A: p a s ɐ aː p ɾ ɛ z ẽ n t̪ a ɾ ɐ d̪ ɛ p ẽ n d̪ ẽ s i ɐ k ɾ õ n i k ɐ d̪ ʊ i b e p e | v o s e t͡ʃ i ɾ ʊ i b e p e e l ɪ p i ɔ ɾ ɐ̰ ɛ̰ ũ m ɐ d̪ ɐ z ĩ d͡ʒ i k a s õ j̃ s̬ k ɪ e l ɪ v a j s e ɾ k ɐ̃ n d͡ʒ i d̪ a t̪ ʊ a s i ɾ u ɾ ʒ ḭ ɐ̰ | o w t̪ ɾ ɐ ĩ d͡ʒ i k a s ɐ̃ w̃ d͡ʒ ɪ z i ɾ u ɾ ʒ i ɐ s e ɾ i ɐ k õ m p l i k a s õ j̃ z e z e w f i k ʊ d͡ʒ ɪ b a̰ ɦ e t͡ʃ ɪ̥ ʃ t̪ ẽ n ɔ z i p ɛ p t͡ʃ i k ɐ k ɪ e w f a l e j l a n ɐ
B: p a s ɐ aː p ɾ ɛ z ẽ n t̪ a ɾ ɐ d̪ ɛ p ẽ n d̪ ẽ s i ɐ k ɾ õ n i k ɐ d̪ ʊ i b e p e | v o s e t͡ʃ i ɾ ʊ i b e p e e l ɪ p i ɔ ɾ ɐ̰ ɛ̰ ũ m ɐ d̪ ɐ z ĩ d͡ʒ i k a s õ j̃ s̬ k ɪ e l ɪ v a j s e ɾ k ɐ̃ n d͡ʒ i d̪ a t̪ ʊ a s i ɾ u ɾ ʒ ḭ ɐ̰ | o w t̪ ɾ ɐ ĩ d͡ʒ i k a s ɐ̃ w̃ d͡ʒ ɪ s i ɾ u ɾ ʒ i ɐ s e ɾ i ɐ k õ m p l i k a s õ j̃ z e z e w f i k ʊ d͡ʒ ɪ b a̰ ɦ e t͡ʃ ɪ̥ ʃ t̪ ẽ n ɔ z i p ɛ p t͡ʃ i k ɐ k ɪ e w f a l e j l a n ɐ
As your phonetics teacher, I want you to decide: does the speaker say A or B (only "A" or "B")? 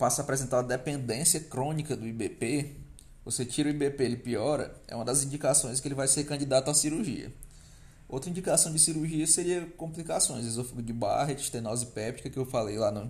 B